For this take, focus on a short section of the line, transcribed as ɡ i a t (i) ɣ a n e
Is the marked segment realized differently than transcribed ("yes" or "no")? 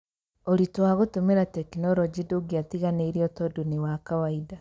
no